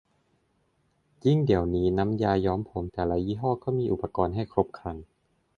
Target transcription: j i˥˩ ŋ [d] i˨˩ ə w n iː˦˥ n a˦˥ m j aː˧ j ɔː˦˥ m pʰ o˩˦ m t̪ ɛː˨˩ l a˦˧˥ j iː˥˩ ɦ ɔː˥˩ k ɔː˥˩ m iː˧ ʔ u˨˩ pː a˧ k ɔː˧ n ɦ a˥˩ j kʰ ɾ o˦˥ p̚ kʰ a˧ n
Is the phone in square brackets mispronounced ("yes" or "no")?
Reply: no